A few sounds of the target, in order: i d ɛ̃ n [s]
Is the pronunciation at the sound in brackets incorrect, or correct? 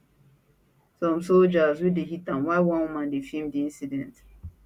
incorrect: t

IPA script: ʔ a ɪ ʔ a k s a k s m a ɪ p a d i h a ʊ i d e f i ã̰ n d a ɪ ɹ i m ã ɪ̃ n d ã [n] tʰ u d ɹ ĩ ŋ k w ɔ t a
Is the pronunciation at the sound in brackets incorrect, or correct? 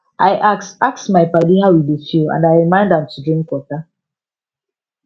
incorrect: m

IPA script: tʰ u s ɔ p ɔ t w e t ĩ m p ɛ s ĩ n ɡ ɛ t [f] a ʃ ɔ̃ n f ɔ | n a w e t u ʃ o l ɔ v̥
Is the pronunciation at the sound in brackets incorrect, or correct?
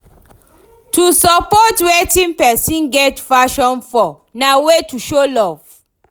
correct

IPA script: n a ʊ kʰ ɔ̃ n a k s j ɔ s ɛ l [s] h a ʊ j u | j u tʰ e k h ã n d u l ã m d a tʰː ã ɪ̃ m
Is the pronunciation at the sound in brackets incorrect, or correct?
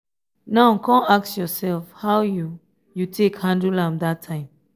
incorrect: f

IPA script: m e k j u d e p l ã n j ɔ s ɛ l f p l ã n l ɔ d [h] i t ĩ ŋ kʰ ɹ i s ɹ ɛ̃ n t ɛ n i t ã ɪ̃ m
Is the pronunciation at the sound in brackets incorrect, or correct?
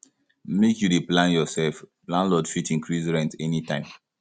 incorrect: f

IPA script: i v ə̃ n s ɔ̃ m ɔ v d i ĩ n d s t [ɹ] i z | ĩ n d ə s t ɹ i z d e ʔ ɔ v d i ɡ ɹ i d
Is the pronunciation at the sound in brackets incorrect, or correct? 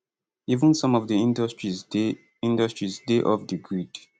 correct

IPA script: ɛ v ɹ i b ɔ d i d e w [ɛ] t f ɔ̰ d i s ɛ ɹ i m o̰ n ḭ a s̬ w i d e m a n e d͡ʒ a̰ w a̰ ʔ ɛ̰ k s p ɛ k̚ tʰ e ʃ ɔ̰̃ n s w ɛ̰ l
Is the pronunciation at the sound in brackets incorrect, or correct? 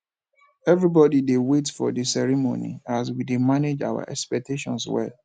incorrect: e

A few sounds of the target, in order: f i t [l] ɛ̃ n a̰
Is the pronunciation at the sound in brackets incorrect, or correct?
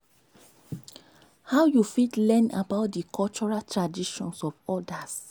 correct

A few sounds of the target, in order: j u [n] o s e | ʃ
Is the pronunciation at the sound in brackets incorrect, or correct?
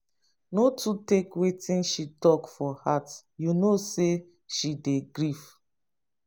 correct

